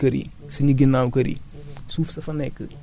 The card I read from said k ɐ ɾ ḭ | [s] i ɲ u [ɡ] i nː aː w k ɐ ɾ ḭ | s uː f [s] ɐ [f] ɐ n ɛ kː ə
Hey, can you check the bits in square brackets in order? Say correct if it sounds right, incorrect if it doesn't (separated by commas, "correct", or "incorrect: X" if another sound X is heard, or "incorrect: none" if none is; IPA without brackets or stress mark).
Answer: correct, correct, correct, correct